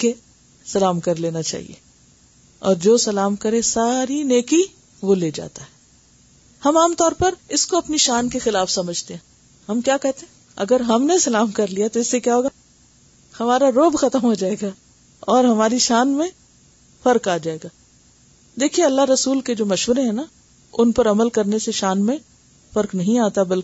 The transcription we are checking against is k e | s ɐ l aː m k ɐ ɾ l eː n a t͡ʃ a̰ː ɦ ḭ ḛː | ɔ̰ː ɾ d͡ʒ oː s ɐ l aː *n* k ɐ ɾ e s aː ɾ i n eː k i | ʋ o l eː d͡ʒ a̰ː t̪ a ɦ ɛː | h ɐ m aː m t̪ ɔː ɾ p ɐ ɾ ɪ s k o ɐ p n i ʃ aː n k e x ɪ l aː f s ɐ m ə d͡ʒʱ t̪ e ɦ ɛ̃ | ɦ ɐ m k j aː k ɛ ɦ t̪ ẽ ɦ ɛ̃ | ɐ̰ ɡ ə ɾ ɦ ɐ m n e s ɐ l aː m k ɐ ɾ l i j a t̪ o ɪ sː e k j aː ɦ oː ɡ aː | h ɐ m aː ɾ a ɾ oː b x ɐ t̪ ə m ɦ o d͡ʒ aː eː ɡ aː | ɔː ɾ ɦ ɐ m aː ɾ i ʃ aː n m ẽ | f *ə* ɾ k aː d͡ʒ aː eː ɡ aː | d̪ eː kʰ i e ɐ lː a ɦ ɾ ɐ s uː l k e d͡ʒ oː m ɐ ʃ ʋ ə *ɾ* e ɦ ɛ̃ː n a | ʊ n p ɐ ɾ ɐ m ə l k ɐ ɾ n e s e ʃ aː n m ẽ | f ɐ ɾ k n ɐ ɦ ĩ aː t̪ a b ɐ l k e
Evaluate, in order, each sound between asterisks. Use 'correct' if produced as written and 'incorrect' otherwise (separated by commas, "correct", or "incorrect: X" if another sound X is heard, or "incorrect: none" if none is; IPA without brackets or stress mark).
incorrect: m, incorrect: ɐ, correct